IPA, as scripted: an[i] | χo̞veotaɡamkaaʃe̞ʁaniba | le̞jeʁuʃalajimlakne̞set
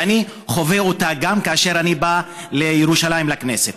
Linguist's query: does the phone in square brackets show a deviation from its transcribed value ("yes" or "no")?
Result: no